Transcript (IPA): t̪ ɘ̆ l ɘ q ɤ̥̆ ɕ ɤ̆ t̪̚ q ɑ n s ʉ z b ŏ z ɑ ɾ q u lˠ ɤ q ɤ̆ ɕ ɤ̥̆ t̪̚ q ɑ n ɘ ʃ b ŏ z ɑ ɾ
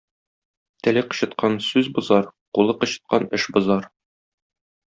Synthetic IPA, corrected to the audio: t̪ ɘ̆ l ɘ q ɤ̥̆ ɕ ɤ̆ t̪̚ q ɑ n s ʉ z b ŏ z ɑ ɾ q u lˠ ɤ q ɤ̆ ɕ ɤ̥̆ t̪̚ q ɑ n ɘ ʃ b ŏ z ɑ ɾ